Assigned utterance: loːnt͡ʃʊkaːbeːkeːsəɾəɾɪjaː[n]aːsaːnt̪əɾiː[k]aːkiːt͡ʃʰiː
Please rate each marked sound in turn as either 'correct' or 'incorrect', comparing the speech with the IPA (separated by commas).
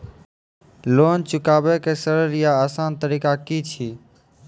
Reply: incorrect, correct